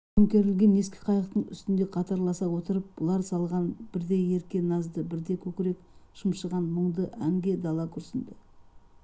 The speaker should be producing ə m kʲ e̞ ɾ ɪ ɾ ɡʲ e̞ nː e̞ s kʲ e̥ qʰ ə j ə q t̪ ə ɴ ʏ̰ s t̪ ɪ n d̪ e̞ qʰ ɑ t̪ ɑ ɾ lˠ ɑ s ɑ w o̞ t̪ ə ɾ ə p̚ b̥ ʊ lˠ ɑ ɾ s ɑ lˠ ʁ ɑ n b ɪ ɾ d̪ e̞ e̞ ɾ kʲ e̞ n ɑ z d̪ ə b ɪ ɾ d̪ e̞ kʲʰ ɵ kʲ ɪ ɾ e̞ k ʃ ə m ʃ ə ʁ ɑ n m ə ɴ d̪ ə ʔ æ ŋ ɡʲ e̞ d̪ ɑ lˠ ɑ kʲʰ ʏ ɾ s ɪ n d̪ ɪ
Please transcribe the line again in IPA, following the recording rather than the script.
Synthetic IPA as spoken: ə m kʲ e̞ ɾ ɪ l ɡʲ e̞ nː e̞ s kʲ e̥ qʰ ɑ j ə q t̪ ə ɴ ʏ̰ s t̪ ɪ n d̪ e̞ qʰ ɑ t̪ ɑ ɾ lˠ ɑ s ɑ w o̞ t̪ ə ɾ ə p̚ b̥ ʊ lˠ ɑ ɾ s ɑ lˠ ʁ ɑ n b ɪ ɾ d̪ e̞ e̞ ɾ kʲ e̞ n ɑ z d̪ ə b ɪ ɾ d̪ e̞ kʲʰ ɵ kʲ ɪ ɾ e̞ k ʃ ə m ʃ ə ʁ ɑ n m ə ɴ d̪ ə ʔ æ ŋ ɡʲ e̞ d̪ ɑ lˠ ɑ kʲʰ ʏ ɾ s ɪ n d̪ ɪ